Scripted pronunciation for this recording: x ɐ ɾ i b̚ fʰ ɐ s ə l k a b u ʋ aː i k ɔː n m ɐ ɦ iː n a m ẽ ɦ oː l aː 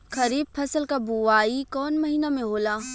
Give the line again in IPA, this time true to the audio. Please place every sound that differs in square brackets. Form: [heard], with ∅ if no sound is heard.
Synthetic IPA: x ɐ ɾ [iː] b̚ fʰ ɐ s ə l k a b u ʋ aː i k ɔː n m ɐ ɦ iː n a m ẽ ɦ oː l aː